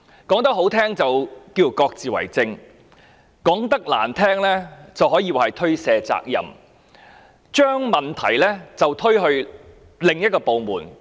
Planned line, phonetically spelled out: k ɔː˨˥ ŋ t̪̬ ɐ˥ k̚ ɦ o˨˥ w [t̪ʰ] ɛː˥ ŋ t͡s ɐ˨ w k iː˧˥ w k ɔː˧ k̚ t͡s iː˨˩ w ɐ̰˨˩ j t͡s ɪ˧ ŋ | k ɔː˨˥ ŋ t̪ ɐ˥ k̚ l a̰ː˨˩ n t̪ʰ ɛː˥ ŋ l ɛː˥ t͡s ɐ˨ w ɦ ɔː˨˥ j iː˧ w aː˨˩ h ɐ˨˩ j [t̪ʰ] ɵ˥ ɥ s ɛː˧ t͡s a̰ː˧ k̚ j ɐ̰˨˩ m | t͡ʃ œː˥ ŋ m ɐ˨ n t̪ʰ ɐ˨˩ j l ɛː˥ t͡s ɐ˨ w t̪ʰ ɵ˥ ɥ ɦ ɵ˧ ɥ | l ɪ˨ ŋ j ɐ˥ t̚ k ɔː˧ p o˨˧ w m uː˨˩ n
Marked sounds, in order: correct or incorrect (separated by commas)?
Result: correct, correct